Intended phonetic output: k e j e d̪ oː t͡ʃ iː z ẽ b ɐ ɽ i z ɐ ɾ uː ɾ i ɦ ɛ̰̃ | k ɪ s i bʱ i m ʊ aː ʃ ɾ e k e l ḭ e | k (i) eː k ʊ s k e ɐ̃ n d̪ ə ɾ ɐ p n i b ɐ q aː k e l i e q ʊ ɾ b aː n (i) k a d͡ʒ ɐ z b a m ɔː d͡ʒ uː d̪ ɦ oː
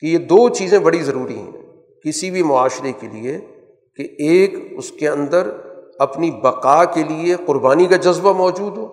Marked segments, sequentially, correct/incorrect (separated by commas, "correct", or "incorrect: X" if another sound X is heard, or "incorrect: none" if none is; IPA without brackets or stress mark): incorrect: e, correct